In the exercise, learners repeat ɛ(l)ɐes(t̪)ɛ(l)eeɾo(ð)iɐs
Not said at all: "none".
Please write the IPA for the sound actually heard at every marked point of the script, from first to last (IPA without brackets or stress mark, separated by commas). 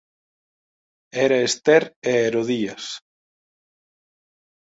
ɾ, t̪, ɾ, ð